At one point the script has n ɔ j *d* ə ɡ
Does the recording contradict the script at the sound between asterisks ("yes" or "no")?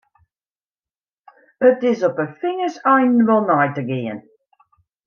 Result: yes